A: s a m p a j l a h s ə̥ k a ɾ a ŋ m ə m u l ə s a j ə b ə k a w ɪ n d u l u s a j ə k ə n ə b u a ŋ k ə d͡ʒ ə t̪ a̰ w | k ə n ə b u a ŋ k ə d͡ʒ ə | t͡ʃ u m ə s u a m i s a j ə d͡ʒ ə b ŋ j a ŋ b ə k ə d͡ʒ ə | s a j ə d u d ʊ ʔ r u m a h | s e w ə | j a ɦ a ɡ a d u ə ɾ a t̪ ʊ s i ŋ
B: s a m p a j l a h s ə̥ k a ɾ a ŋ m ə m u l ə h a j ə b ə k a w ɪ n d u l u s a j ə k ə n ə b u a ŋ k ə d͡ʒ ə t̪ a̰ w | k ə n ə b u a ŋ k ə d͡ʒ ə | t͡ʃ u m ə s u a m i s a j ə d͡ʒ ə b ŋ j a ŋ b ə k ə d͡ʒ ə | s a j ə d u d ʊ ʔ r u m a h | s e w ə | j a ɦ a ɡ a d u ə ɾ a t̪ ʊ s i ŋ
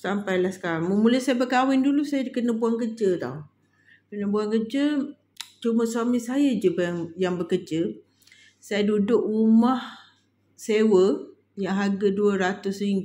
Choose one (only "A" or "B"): A